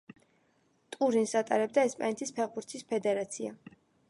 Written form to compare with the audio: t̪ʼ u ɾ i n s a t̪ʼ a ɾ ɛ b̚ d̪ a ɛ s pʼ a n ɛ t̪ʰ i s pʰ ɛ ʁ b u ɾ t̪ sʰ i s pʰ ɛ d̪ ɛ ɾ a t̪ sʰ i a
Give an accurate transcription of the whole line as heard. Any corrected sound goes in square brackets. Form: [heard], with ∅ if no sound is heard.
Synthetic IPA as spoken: t̪ʼ u ɾ i n s a t̪ʼ a ɾ ɛ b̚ d̪ a ɛ s pʼ a n ɛ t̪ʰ i s pʰ ɛ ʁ b u ɾ t̪ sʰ i s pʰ ɛ d̪ ɛ ɾ a t̪ sʰ i a